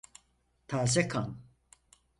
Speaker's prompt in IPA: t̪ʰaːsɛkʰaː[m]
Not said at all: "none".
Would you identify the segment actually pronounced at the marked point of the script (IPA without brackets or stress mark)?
n